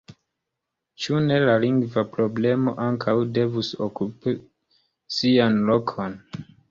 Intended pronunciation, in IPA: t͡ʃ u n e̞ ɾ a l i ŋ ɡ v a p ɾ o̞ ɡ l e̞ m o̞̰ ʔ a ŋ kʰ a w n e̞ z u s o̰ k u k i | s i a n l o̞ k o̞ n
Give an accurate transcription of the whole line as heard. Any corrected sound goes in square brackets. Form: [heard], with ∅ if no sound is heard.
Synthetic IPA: t͡ʃ u n e̞ [l] a l i ŋ ɡ v a p ɾ o̞ [b] l e̞ m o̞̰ ʔ a ŋ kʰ a w [d] e̞ [v] u s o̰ k u [p] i | s i a n l o̞ [kʰ] o̞ n

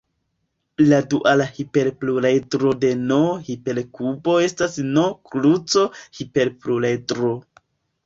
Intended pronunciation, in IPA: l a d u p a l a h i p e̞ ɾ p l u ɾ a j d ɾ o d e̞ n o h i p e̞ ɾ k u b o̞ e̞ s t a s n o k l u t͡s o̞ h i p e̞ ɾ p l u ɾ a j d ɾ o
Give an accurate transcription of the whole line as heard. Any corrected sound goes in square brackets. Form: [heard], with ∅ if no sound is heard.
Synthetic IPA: l a d u [ʔ] a l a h i p e̞ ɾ p l u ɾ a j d ɾ o d e̞ n o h i p e̞ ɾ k u b o̞ e̞ s t a s n o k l u t͡s o̞ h i p e̞ ɾ p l u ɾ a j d ɾ o

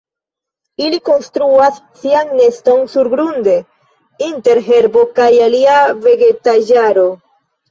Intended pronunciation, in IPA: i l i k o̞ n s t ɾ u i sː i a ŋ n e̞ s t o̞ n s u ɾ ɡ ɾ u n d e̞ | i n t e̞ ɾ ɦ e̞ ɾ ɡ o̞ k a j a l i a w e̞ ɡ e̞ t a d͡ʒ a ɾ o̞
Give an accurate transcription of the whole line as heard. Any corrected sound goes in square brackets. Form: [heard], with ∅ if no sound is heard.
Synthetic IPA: i l i k o̞ n s t ɾ u [a] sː i a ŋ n e̞ s t o̞ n s u ɾ ɡ ɾ u n d e̞ | i n t e̞ ɾ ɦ e̞ ɾ [b] o̞ k a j a l i a [v] e̞ ɡ e̞ t a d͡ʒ a ɾ o̞

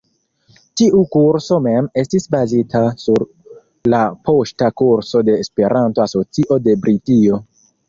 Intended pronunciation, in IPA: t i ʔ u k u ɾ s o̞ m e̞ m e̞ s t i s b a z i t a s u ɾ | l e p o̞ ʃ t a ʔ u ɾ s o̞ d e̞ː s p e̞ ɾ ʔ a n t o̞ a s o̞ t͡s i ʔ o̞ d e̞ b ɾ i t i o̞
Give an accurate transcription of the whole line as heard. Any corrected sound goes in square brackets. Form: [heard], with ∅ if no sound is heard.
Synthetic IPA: t i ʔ u k u ɾ s o̞ m e̞ m e̞ s t i s b a z i t a s u ɾ | l [a] p o̞ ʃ t a [k] u ɾ s o̞ d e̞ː s p e̞ ɾ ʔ a n t o̞ a s o̞ t͡s i ʔ o̞ d e̞ b ɾ i t i o̞

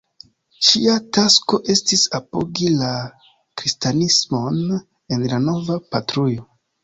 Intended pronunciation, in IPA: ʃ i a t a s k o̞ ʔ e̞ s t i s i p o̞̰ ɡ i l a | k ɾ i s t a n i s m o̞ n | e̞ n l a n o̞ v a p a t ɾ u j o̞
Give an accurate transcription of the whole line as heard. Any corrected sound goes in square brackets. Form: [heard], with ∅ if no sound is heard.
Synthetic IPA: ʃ i a t a s k o̞ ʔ e̞ s t i s [a] p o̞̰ ɡ i l a | k ɾ i s t a n i s m o̞ n | e̞ n l a n o̞ v a p a t ɾ u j o̞

